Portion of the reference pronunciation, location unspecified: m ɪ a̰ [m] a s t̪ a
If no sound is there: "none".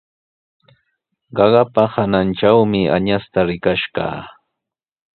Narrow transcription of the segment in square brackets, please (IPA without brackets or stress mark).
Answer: ɲ